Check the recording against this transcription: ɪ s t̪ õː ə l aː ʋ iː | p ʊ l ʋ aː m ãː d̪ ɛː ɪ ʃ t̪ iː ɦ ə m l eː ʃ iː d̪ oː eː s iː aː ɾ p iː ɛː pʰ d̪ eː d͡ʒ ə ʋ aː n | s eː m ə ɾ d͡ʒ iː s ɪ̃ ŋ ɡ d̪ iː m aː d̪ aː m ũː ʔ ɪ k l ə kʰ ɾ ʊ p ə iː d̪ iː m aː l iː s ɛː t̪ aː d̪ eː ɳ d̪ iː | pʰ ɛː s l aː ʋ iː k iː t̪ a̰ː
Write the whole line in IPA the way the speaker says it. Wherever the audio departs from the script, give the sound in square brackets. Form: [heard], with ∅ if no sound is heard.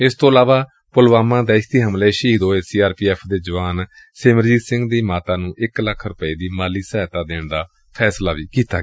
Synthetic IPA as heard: ɪ s t̪ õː ə l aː ʋ [aː] | p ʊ l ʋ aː m ãː d̪ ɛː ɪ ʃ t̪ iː ɦ ə m l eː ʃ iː d̪ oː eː s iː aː ɾ p iː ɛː pʰ d̪ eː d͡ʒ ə ʋ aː n | s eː m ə ɾ d͡ʒ iː s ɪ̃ ŋ ɡ d̪ iː m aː [t̪] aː [n] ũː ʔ ɪ k l ə kʰ ɾ ʊ p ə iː d̪ iː m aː l iː s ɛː t̪ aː d̪ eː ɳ d̪ [aː] | pʰ ɛː s l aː ʋ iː k iː t̪ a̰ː

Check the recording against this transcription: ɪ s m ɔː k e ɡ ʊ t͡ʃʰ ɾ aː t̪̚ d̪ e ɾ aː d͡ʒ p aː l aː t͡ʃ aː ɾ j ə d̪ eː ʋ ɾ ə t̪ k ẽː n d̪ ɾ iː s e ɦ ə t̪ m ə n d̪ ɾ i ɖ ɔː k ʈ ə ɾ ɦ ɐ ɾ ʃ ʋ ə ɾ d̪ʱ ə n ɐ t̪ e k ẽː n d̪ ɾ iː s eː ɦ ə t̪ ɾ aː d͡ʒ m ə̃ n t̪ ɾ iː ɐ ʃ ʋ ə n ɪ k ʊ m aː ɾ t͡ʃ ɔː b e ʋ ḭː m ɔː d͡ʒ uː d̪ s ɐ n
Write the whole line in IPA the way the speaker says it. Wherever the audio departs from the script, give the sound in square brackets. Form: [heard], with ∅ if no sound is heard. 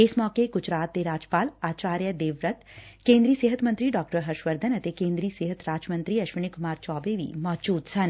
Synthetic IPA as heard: ɪ s m ɔː k e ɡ ʊ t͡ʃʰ ɾ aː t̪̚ d̪ e ɾ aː d͡ʒ p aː l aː t͡ʃ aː ɾ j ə d̪ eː ʋ ɾ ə t̪ k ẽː n d̪ ɾ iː s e ɦ ə t̪ m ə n [t̪] ɾ i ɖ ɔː k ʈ ə ɾ ɦ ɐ ɾ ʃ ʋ ə ɾ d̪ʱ ə n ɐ t̪ e k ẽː n d̪ ɾ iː s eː ɦ ə t̪ ɾ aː d͡ʒ m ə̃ n t̪ ɾ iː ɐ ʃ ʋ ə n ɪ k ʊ m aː ɾ t͡ʃ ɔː b e ʋ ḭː m ɔː d͡ʒ uː d̪ s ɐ n

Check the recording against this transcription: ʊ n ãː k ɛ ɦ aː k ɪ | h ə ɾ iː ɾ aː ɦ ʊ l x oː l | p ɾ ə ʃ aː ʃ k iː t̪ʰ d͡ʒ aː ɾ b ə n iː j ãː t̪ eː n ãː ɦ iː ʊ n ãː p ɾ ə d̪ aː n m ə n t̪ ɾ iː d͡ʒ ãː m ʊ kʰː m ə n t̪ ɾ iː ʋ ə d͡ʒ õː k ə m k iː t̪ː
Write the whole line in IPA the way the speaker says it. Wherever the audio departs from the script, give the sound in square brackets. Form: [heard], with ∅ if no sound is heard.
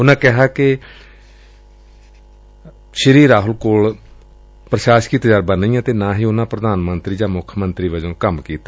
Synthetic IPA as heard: ʊ n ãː k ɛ ɦ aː k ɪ | [ʃ] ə ɾ iː ɾ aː ɦ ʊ l [k] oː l | p ɾ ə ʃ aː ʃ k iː [t̪] d͡ʒ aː ɾ b ə n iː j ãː t̪ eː n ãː ɦ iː ʊ n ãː p ɾ ə d̪ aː n m ə n t̪ ɾ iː d͡ʒ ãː m ʊ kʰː m ə n t̪ ɾ iː ʋ ə d͡ʒ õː k ə m k iː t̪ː

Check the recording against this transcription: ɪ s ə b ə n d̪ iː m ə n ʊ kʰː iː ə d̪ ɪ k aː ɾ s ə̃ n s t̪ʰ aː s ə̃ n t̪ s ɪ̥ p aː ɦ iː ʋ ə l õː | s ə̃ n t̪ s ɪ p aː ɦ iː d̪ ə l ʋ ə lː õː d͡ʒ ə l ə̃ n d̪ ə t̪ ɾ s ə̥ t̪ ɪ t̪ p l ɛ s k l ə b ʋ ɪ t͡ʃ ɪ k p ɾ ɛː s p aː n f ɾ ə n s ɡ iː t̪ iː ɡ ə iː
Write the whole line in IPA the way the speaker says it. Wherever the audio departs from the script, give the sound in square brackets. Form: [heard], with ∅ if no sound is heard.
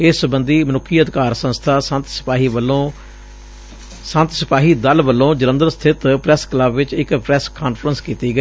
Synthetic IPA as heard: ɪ s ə b ə n d̪ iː m ə n ʊ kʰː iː ə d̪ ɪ k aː ɾ s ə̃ n s t̪ʰ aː s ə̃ n t̪ s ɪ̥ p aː ɦ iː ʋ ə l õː | s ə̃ n t̪ s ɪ p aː ɦ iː d̪ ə l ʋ ə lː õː d͡ʒ ə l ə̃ n d̪ ə [∅] ɾ s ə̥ [t̪ʰ] ɪ t̪ p [ɾ] ɛ s k l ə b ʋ ɪ t͡ʃ ɪ k p ɾ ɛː s [k] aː n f ɾ ə n s [k] iː t̪ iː ɡ ə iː

